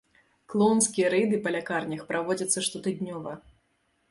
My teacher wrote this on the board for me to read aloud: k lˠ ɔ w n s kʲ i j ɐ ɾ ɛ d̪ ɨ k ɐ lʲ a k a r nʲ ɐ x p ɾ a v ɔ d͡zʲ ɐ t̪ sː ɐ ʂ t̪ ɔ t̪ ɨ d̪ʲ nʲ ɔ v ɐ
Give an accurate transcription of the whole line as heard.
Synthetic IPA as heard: k lˠ ɔ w n s kʲ i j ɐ ɾ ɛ d̪ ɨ p ɐ lʲ a k a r nʲ ɐ x p ɾ a v ɔ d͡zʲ ɐ t̪ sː ɐ ʂ t̪ ɔ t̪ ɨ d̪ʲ nʲ ɔ v ɐ

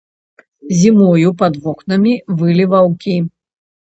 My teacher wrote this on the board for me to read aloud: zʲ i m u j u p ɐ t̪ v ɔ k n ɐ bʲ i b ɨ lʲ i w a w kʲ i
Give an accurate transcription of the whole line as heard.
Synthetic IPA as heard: zʲ i m ɔ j u p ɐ d̪ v ɔ k n ɐ mʲ i v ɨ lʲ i v a w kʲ i

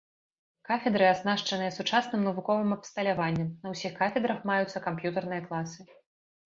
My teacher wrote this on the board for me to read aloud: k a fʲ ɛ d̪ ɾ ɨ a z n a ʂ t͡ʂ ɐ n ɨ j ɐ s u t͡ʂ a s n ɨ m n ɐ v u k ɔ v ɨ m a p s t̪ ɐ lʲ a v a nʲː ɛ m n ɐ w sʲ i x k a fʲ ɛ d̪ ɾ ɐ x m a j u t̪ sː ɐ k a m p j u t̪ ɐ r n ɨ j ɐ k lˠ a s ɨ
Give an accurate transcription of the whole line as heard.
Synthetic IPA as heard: k a fʲ ɛ d̪ ɾ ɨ a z n a ʂ t͡ʂ ɐ n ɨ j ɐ s u t͡ʂ a s n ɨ m n ɐ v u k ɔ v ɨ m ɐ p s t̪ ɐ lʲ a v a nʲː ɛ m n ɐ w sʲ i x k a fʲ ɛ d̪ ɾ ɐ x m a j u t̪ sː ɐ k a m p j u t̪ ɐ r n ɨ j ɐ k lˠ a s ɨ

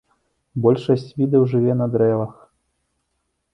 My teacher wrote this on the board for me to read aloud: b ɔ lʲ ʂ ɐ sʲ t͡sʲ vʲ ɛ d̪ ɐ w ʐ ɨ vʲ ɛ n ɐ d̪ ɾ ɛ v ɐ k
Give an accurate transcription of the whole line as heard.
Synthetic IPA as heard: b ɔ lʲ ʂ ɐ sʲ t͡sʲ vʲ i d̪ ɐ w ʐ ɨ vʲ ɛ n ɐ d̪ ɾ ɛ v ɐ x

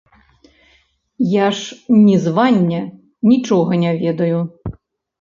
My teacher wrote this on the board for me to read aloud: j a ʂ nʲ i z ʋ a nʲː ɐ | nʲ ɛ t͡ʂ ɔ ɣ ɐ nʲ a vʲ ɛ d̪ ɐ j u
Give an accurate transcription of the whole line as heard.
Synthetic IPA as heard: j a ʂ nʲ i z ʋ a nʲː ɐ | nʲ i t͡ʂ ɔ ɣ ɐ nʲ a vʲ ɛ d̪ ɐ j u

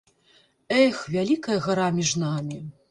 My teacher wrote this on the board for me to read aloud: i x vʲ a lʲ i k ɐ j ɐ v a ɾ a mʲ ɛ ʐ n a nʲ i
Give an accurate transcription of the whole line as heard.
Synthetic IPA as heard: ɛ x vʲ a lʲ i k ɐ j ɐ ɣ a ɾ a mʲ i ʐ n a mʲ i

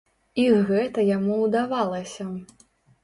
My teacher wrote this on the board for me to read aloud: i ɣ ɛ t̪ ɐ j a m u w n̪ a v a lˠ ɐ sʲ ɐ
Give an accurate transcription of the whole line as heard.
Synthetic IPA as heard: i ɣ ɛ t̪ ɐ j a m u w d̪ a v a lˠ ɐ sʲ ɐ

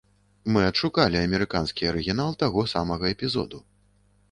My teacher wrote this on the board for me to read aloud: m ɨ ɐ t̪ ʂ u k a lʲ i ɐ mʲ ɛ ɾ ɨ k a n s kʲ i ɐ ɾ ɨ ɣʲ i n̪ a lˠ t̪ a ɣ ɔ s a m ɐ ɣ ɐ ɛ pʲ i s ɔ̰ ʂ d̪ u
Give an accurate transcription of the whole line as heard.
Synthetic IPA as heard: m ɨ ɐ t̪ ʂ u k a lʲ i ɐ mʲ ɛ ɾ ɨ k a n s kʲ i ɐ ɾ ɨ ɣʲ i n̪ a lˠ t̪ a ɣ ɔ s a m ɐ ɣ ɐ ɛ pʲ i z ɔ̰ d̪ u

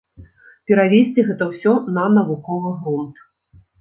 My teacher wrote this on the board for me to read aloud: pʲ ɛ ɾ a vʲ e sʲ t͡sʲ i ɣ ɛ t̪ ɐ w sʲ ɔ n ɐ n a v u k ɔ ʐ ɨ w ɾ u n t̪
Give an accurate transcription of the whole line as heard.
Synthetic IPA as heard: pʲ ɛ ɾ a vʲ e sʲ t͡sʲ i ɣ ɛ t̪ ɐ w sʲ ɔ n ɐ n ɐ v u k ɔ v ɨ ɣ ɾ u n t̪

